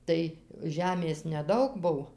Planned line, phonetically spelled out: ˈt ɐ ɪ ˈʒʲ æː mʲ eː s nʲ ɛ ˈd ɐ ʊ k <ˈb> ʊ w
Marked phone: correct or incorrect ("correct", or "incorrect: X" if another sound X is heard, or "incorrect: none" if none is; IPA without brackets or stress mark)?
correct